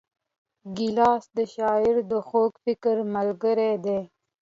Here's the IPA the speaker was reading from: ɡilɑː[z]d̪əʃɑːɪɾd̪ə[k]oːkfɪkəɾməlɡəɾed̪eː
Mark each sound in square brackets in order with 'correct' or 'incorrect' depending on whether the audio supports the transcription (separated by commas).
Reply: incorrect, incorrect